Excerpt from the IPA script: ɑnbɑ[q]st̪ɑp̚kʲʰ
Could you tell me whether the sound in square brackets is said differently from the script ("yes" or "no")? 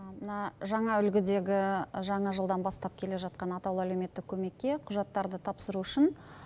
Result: yes